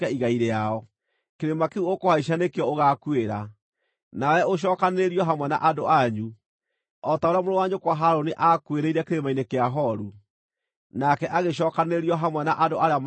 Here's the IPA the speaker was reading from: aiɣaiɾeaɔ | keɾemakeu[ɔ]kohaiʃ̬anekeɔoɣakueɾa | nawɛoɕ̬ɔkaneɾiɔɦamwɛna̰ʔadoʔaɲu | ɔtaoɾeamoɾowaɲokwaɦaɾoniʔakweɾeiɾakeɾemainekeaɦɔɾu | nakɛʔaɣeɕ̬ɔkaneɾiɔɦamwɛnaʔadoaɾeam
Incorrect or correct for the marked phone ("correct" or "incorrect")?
incorrect